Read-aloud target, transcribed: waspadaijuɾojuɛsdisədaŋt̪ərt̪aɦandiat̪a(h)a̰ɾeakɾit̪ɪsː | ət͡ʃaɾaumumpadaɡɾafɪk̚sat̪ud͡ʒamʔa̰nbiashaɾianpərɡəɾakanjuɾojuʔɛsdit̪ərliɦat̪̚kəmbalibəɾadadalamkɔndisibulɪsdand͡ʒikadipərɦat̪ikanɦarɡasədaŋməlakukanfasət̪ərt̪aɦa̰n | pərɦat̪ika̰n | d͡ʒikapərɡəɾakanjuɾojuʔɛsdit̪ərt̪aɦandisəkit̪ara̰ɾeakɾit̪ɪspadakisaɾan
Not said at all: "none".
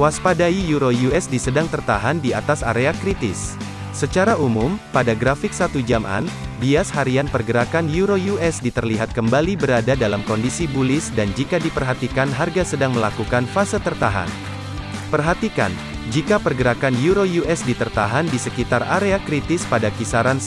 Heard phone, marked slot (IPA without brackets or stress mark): s